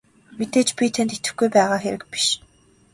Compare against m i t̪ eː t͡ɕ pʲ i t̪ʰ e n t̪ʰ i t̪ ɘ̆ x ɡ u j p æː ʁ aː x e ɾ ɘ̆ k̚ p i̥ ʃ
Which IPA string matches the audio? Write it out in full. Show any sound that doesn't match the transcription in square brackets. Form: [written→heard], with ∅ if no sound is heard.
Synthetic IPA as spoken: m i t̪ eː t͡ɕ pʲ i t̪ʰ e n [t̪ʰ→t̪] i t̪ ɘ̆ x ɡ u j p æː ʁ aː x e ɾ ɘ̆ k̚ p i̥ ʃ